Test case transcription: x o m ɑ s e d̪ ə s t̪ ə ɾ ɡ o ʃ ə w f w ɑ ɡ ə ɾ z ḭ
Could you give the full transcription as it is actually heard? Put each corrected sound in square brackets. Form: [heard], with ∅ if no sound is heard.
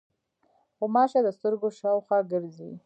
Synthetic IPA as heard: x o m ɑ [ʃ] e d̪ ə s t̪ ə ɾ ɡ o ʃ [ɑ] w [x] w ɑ ɡ ə ɾ z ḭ